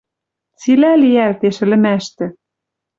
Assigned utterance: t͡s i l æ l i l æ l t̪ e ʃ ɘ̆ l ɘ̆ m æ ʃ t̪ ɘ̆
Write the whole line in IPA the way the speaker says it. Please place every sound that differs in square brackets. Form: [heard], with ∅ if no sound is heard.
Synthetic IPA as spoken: t͡s i l æ l i [∅] æ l t̪ e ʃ ɘ̆ l ɘ̆ m æ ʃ t̪ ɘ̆